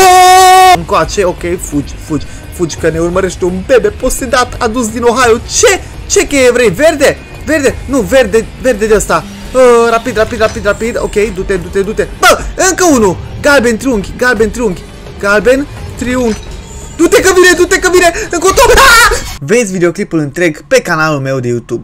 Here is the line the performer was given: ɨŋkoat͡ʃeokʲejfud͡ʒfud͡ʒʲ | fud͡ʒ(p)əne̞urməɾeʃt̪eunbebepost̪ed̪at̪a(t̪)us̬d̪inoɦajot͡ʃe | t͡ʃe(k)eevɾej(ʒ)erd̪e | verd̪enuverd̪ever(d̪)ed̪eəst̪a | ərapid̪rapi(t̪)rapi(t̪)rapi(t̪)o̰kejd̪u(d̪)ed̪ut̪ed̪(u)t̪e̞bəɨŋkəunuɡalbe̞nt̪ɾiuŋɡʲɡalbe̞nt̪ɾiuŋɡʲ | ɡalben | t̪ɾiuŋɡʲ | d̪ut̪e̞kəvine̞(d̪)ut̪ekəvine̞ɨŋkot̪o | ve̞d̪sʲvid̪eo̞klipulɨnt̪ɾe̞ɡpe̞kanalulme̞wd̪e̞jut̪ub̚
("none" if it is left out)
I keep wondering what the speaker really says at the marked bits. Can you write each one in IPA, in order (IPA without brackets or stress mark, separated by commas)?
k, d̪, k, v, d̪, d̪, d̪, d̪, t̪, u, d̪